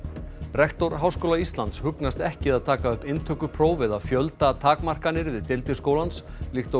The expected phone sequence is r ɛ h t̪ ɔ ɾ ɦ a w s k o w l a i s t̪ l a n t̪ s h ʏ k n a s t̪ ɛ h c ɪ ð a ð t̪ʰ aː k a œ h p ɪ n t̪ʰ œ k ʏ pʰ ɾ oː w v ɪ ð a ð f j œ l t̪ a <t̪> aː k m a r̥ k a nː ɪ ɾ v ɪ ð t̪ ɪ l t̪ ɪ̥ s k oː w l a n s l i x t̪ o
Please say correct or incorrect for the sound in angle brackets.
incorrect